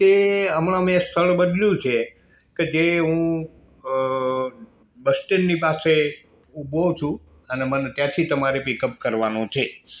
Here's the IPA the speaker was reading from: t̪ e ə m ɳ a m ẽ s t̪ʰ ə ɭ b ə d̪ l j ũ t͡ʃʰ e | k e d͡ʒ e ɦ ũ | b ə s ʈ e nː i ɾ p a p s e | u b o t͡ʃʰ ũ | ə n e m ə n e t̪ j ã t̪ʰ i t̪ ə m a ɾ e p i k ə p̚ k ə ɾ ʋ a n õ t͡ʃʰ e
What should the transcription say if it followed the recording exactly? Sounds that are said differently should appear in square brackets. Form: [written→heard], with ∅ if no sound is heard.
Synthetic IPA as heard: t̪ e ə m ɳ a m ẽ s t̪ʰ ə ɭ b ə d̪ l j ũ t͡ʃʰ e | k e d͡ʒ e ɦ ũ | b ə s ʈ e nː i [ɾ→∅] p a [p→∅] s e | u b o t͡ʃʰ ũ | ə n e m ə n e t̪ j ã t̪ʰ i t̪ ə m a ɾ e p i k ə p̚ k ə ɾ ʋ a n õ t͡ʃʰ e

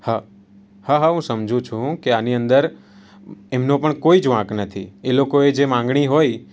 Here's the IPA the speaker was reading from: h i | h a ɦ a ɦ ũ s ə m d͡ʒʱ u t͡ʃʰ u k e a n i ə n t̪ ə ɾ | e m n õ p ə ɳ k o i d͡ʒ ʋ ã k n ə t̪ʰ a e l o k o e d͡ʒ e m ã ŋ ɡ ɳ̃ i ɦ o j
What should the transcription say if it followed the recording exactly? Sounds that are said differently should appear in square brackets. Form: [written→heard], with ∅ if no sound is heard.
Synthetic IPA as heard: h [i→a] | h a ɦ a ɦ ũ s ə m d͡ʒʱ [u→ũ] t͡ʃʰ [u→ũ] k e a n i ə n [t̪→d̪] ə ɾ | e m n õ p ə ɳ k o i d͡ʒ ʋ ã k n ə t̪ʰ [a→i] e l o k o e d͡ʒ e m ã ŋ ɡ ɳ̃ i ɦ o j

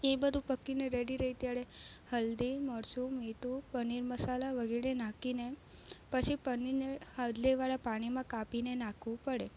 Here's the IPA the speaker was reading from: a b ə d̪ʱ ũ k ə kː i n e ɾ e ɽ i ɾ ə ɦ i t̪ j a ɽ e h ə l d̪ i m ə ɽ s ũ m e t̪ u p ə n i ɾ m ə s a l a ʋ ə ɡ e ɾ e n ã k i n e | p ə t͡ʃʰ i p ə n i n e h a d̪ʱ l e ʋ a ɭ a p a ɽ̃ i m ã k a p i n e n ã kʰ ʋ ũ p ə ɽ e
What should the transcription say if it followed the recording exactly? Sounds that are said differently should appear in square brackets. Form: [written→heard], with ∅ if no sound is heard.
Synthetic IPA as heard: [a→e] b ə d̪ʱ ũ [k→p] ə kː i n e ɾ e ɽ i ɾ ə ɦ i t̪ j a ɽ e h ə l d̪ i m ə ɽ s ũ m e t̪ u p ə n i ɾ m ə s a l a ʋ ə ɡ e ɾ e n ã k i n e | p ə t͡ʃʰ i p ə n i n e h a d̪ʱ l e ʋ a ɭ a p a ɽ̃ i m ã k a p i n e n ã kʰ ʋ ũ p ə ɽ e

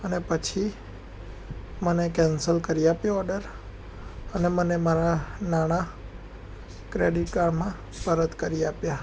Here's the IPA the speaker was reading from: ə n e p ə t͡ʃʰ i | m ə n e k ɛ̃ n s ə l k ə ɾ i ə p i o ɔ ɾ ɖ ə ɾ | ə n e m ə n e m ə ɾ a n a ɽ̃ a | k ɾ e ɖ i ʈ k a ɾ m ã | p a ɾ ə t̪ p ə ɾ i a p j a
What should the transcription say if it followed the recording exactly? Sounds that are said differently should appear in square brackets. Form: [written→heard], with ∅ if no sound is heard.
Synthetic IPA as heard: ə n e p ə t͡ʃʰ i | m ə n e k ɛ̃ n s ə l k ə ɾ i [ə→a] p [i→j] o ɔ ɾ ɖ ə ɾ | ə n e m ə n e m [ə→a] ɾ a n a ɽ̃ a | k ɾ e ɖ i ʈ k a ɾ m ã | p [a→ə] ɾ ə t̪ [p→k] ə ɾ i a p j a

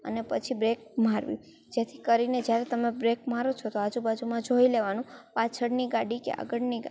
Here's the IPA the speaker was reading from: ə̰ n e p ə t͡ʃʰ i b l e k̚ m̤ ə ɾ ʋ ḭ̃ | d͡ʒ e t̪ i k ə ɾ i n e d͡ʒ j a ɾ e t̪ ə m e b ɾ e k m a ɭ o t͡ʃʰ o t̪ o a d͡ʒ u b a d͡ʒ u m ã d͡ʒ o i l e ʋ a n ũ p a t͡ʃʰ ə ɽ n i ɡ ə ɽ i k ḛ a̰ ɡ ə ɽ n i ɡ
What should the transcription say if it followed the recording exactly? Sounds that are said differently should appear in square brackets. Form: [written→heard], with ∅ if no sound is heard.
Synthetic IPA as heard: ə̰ n e p ə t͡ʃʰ i b [l→ɾ] e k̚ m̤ [ə→a] ɾ ʋ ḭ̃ | d͡ʒ e [t̪→t̪ʰ] i k ə ɾ i n e d͡ʒ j a ɾ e t̪ ə m e b ɾ e k m a [ɭ→ɾ] o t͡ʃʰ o t̪ o a d͡ʒ u b a d͡ʒ u m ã d͡ʒ o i l e ʋ a n ũ p a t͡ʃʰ ə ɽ n i ɡ [ə→a] ɽ i k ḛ a̰ ɡ ə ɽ n i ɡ

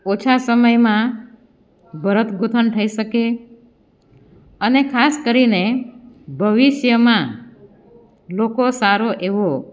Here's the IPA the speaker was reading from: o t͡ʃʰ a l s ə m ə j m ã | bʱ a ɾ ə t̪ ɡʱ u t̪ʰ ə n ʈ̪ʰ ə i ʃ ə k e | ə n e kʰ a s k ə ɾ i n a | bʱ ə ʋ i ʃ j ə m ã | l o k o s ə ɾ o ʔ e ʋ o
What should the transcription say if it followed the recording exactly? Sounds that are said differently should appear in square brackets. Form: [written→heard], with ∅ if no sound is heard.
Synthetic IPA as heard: o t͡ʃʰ a [l→∅] s ə m ə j m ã | bʱ [a→ə] ɾ ə t̪ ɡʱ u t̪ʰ ə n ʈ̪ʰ ə i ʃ ə k e | ə n e kʰ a s k ə ɾ i n [a→e] | bʱ ə ʋ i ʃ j ə m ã | l o k o s [ə→a] ɾ o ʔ e ʋ o

